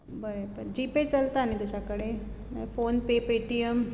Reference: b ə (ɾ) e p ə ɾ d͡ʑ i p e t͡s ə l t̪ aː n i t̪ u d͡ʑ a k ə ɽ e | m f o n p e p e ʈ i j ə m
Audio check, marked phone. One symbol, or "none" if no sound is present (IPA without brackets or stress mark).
ɾ